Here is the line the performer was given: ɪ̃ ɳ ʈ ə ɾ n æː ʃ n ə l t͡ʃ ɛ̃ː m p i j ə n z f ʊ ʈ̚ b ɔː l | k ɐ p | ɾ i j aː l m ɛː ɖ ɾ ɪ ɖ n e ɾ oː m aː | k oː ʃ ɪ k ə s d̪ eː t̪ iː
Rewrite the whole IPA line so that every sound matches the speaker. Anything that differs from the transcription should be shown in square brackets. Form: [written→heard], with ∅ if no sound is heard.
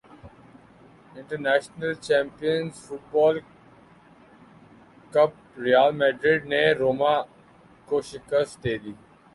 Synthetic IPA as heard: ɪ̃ ɳ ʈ ə ɾ n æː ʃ n ə l t͡ʃ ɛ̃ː m p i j ə n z f ʊ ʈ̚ b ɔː l | k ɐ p | ɾ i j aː l m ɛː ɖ ɾ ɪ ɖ n e ɾ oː m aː | k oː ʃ ɪ k ə s d̪ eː [t̪→d̪] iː